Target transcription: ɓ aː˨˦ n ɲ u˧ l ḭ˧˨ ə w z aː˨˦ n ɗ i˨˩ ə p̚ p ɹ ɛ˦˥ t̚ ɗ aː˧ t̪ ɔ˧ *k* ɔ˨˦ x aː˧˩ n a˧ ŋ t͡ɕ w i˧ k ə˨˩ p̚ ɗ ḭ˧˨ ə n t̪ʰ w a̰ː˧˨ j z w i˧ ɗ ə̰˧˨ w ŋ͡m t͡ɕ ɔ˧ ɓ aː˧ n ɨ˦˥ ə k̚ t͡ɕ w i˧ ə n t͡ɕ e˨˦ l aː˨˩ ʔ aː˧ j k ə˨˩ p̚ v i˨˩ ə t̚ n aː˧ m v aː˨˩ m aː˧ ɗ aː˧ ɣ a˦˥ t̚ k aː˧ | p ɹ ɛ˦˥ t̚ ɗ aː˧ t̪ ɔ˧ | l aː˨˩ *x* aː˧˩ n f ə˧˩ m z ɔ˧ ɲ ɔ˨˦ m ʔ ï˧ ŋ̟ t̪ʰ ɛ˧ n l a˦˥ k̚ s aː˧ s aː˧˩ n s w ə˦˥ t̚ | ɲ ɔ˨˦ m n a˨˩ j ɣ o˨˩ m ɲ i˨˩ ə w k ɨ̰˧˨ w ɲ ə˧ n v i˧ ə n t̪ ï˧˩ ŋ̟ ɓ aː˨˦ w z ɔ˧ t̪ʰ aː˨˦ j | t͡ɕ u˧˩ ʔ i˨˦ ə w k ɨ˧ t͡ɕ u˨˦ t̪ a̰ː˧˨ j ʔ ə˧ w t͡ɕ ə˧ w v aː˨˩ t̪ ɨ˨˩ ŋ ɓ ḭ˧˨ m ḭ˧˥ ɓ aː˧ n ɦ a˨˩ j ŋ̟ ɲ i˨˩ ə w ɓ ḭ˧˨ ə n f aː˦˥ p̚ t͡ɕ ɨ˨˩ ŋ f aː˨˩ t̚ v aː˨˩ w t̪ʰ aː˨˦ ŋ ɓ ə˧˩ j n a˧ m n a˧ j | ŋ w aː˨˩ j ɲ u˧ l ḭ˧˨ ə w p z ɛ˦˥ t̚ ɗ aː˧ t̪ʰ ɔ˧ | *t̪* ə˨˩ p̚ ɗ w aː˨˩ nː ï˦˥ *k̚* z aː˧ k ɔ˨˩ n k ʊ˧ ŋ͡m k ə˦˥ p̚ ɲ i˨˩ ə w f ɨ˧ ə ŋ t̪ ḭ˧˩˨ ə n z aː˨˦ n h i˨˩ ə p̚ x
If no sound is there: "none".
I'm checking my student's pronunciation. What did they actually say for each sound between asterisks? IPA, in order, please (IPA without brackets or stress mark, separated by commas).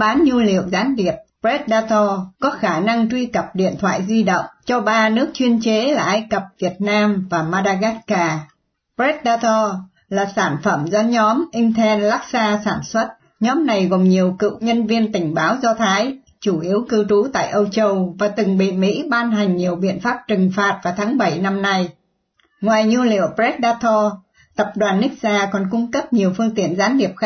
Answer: k, s, t̪, k̚